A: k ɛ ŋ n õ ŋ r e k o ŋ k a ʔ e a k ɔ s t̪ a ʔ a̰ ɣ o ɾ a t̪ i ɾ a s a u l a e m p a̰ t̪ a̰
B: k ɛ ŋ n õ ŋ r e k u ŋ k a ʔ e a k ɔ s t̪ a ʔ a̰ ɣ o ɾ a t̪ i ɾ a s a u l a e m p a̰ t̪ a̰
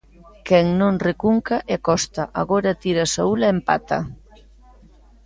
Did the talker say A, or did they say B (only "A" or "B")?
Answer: B